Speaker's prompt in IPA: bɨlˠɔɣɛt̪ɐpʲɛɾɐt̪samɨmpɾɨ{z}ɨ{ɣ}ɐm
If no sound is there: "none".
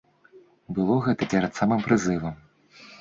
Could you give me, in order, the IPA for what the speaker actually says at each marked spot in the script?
z, v

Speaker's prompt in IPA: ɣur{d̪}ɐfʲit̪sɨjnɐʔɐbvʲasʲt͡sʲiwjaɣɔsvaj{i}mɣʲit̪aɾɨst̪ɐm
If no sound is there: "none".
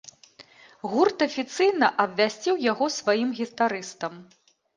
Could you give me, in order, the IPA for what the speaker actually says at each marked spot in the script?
t̪, i

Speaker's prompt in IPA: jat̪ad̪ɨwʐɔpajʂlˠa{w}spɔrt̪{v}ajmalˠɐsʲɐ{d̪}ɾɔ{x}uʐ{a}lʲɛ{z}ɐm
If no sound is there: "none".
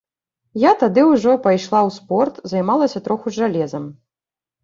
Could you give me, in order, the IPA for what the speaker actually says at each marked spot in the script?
w, z, t̪, x, a, z

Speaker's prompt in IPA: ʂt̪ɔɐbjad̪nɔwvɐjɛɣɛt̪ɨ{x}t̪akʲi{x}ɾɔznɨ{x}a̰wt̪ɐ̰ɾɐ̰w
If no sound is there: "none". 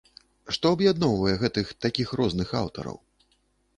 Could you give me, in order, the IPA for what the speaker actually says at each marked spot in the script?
x, x, x

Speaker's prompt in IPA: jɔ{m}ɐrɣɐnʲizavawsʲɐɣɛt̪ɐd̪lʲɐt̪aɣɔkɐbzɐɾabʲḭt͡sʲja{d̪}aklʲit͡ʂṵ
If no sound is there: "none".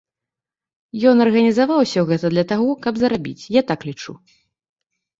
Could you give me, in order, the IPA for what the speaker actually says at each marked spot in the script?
n, t̪

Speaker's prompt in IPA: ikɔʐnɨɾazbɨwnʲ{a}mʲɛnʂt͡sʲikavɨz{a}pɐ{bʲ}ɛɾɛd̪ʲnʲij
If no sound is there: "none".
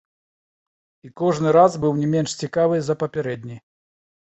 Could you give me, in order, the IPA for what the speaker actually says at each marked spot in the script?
ɛ, ɐ, pʲ

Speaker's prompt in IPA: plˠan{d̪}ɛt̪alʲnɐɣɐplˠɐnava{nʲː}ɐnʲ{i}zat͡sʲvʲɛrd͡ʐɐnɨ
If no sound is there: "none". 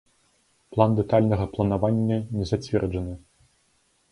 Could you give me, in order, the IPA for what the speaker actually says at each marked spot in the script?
d̪, nʲː, ɛ

